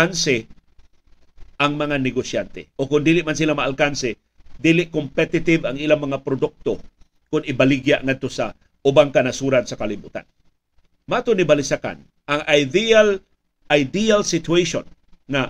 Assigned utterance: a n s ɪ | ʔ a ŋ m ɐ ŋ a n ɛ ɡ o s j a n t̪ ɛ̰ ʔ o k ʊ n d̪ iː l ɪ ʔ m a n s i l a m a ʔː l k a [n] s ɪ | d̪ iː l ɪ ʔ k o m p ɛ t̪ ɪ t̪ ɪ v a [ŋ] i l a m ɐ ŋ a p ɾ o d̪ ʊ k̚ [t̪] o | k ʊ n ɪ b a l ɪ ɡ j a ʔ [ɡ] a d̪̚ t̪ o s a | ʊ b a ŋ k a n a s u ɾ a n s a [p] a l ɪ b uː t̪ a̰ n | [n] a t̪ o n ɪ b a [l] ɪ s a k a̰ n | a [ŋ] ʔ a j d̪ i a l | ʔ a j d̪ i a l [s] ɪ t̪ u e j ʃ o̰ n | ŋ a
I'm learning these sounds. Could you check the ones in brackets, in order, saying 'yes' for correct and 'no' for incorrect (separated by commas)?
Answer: yes, yes, yes, no, no, no, yes, yes, yes